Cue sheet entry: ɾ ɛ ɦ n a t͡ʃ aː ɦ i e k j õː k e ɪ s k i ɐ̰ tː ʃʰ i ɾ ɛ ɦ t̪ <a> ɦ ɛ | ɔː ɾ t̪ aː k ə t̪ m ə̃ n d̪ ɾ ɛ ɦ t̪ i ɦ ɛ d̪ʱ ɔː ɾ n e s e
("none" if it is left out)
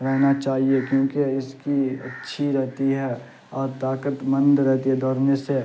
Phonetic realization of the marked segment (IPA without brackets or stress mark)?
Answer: i